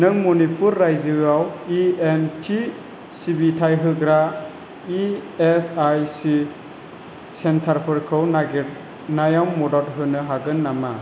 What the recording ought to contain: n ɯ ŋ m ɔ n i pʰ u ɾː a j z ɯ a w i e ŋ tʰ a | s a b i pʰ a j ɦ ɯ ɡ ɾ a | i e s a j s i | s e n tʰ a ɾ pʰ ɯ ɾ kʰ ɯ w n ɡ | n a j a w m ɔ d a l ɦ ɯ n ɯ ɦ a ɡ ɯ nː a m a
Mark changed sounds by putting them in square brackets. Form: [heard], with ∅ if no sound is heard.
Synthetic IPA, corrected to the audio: n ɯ ŋ m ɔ n i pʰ u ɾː a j z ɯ a w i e [n] tʰ [i] | s [i] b i [tʰ] a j ɦ ɯ ɡ ɾ a | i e s a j s i | s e n tʰ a ɾ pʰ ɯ ɾ kʰ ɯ w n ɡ | n a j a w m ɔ d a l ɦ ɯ n ɯ ɦ a ɡ ɯ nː a m a